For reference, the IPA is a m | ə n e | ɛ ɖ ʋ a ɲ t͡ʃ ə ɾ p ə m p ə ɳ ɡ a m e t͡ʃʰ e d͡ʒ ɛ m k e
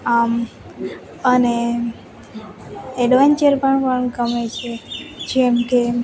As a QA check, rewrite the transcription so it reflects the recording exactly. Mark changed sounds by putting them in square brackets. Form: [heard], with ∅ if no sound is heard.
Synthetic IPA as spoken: a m | ə n e | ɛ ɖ ʋ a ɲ t͡ʃ ə ɾ p ə [ɳ] p ə ɳ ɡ [ə] m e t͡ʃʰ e d͡ʒ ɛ m k e